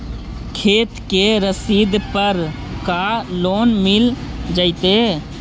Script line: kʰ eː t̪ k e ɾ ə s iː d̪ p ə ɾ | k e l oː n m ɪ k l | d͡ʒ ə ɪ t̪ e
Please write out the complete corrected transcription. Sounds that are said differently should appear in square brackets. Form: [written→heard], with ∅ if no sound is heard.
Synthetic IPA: kʰ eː t̪ k e ɾ ə s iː d̪ p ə ɾ | k [e→a] l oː n m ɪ [k→∅] l | d͡ʒ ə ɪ t̪ e